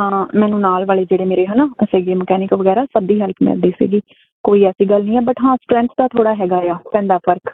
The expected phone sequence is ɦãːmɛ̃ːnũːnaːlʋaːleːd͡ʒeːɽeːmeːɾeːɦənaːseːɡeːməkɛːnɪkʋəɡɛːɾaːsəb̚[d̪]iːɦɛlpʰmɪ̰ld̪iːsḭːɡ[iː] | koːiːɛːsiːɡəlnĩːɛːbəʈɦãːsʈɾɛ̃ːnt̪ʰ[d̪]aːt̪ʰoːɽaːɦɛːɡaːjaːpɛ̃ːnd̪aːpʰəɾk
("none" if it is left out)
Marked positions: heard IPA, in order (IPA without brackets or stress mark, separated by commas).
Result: d̪, iː, d̪